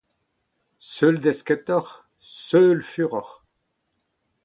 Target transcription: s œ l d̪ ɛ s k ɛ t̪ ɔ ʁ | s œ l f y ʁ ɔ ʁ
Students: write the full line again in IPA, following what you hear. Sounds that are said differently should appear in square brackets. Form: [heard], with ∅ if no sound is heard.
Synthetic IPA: s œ l d̪ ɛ s k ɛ t̪ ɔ ʁ | s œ l f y ʁ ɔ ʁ